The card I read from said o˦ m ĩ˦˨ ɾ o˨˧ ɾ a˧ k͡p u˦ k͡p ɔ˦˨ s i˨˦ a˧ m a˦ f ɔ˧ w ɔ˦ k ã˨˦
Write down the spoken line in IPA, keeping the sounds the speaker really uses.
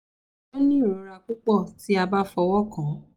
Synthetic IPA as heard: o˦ n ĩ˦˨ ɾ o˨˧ ɾ a˧ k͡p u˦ k͡p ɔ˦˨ t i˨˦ a˧ b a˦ f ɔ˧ w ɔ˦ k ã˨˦